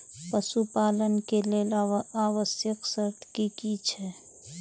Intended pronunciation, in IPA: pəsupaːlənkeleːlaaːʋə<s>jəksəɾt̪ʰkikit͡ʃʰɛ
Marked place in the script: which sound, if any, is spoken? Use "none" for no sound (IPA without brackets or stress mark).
s